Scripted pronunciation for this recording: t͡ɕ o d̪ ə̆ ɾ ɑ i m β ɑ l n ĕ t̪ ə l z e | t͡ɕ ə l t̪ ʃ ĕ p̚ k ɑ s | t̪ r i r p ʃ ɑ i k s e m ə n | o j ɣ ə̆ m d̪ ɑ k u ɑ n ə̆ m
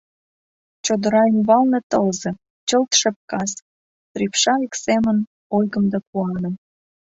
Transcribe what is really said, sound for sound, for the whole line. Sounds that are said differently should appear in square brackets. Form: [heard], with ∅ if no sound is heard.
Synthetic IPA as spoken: t͡ɕ o d̪ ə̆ ɾ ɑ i m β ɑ l n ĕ t̪ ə l z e | t͡ɕ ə l t̪ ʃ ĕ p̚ k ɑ s | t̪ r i [∅] p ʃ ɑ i k s e m ə n | o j ɣ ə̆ m d̪ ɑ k u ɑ n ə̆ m